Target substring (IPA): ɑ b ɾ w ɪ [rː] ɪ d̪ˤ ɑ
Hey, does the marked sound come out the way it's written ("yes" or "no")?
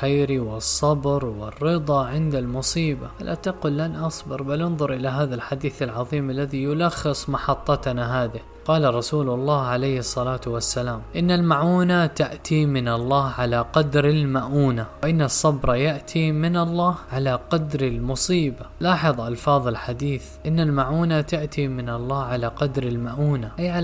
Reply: yes